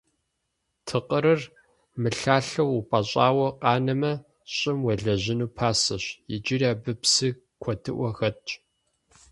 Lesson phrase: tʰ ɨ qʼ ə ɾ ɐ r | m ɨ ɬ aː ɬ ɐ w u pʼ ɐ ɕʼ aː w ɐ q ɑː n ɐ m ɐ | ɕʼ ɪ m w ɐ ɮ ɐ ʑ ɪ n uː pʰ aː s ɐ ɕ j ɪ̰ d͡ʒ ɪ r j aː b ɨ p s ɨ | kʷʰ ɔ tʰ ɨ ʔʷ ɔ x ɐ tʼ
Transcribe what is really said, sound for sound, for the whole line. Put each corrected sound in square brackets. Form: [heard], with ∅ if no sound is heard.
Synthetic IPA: tʰ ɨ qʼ ə ɾ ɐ r | m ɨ ɬ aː ɬ ɐ w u pʼ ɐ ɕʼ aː w ɐ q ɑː n ɐ m ɐ | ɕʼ ɪ m w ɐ ɮ ɐ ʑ ɪ n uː pʰ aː s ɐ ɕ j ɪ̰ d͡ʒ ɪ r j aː b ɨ p s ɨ | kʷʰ ɔ tʰ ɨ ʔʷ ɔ x ɐ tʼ